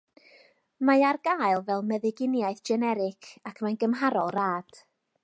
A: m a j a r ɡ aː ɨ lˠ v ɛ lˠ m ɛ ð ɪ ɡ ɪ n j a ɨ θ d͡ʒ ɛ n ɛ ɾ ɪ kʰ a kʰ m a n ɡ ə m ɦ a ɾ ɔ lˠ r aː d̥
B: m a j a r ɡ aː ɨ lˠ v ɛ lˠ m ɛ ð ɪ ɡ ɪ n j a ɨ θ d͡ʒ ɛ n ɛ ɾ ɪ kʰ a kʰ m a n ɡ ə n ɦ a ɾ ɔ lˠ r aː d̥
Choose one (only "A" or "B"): A